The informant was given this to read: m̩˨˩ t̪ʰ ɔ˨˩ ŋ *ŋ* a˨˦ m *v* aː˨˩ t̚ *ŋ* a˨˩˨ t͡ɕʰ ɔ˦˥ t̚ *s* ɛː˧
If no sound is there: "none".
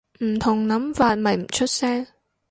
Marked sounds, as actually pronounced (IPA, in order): n, v, m, s

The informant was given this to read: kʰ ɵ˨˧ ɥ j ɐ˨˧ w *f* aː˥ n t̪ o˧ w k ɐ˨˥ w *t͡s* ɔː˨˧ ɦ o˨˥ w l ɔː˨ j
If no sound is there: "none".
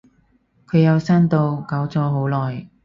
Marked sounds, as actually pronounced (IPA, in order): s, t͡s

